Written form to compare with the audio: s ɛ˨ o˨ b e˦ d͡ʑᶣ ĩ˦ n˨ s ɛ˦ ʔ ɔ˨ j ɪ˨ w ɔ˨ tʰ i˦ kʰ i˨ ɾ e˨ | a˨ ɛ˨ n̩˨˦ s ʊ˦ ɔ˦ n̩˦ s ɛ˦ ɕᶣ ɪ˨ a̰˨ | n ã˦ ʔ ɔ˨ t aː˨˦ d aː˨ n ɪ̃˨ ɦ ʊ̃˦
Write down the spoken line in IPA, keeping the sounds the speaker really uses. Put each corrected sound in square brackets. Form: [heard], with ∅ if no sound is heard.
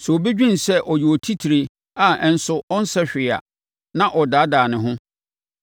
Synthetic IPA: s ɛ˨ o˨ b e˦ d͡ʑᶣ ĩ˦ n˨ s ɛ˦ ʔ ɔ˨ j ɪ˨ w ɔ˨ tʰ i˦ [tʰ] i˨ ɾ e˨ | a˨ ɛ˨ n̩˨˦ s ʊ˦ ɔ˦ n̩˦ s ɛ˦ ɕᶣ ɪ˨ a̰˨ | n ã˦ ʔ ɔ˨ [d] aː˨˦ d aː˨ n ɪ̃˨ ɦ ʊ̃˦